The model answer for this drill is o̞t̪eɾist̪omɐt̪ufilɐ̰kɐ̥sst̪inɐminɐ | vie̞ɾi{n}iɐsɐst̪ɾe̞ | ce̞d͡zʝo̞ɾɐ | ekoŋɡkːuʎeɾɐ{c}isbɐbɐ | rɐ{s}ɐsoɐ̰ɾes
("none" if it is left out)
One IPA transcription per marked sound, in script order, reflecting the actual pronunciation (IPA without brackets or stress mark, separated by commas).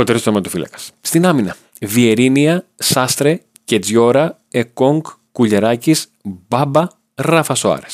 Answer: n, c, f